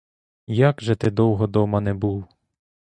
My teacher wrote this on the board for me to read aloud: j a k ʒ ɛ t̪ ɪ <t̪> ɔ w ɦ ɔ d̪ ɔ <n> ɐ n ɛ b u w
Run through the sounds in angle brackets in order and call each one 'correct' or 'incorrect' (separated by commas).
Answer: incorrect, incorrect